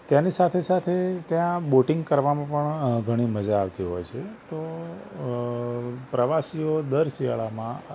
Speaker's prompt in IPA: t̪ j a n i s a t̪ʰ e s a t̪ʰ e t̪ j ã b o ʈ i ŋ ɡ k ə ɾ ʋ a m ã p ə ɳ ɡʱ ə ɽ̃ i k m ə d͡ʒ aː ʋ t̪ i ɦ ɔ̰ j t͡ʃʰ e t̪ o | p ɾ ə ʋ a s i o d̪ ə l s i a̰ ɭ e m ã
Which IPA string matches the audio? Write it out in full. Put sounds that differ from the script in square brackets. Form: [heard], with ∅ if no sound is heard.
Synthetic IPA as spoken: t̪ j a n i s a t̪ʰ e s a t̪ʰ e t̪ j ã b o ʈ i ŋ ɡ k ə ɾ ʋ a m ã p ə ɳ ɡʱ ə ɽ̃ i [∅] m ə d͡ʒ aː ʋ t̪ i ɦ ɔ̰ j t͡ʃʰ e t̪ o | p ɾ ə ʋ a s i o d̪ ə [ɾ] s i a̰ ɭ [a] m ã